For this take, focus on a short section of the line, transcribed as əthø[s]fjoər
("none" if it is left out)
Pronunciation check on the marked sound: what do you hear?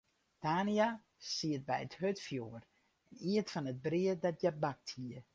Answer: t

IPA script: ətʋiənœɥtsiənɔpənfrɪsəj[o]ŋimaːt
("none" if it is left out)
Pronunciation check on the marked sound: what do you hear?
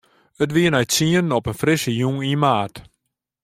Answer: u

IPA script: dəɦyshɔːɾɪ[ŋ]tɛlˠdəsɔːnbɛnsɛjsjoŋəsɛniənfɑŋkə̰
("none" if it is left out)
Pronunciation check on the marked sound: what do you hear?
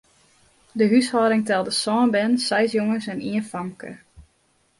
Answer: ŋ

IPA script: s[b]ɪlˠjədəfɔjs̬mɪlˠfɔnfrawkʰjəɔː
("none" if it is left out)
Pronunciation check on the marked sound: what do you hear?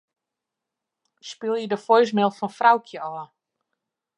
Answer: p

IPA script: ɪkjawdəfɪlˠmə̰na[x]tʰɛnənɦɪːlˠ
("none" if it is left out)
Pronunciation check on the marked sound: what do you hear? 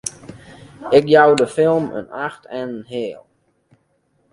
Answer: x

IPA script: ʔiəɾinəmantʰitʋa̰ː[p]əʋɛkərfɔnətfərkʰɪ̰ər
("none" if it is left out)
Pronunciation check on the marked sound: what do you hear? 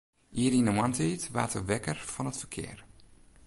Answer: t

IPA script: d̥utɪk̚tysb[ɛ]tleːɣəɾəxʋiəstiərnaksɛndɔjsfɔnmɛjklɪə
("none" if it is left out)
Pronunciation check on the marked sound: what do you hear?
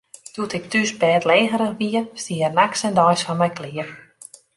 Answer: ɛː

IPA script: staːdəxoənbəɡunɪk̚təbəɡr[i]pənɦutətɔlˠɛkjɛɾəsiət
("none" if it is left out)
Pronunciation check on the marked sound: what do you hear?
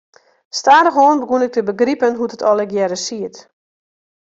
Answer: i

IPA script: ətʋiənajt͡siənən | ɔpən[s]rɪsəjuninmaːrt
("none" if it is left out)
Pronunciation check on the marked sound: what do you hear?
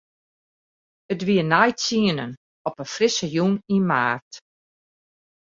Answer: f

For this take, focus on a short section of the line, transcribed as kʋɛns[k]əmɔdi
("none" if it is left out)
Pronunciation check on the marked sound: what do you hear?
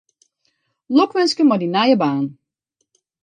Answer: k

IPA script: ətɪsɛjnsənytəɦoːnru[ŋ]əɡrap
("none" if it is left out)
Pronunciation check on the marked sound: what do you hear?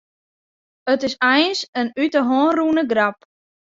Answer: n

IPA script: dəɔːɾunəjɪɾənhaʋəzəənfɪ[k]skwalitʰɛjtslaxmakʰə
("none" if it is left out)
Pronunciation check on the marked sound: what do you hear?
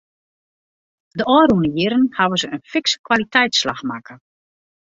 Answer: k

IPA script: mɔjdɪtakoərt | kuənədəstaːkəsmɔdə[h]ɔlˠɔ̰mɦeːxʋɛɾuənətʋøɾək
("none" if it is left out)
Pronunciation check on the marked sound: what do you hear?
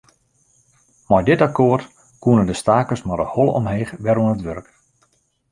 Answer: h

